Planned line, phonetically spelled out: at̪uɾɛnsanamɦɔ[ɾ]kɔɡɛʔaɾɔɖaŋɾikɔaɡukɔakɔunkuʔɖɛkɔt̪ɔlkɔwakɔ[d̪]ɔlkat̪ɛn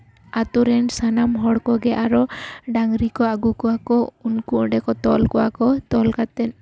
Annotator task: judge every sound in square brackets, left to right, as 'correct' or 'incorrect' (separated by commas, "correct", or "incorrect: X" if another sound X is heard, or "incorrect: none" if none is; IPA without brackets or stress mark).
incorrect: ɽ, incorrect: t̪